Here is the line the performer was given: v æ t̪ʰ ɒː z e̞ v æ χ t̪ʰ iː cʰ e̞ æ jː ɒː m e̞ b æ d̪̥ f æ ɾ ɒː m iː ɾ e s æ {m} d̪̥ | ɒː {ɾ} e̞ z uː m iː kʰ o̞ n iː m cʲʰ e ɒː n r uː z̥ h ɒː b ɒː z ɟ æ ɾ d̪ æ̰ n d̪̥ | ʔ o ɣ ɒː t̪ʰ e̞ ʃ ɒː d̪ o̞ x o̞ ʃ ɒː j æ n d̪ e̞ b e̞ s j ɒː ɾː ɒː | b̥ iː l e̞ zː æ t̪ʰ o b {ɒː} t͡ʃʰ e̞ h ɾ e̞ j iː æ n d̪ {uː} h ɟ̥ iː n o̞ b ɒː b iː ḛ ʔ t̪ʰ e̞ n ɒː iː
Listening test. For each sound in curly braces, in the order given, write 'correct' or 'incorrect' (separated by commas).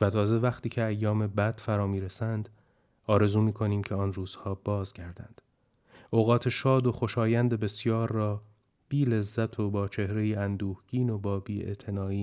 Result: incorrect, correct, correct, correct